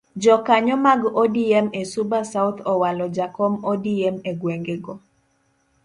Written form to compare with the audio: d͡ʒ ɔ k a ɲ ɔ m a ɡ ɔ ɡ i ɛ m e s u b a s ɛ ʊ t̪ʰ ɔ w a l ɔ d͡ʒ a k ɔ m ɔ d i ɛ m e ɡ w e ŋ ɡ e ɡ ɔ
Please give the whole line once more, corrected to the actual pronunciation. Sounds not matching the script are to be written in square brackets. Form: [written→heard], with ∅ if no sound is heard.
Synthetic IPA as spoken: d͡ʒ ɔ k a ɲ ɔ m a ɡ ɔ [ɡ→d] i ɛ m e s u b a s [ɛ→a] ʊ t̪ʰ ɔ w a l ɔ d͡ʒ a k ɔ m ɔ d i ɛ m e ɡ w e ŋ ɡ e ɡ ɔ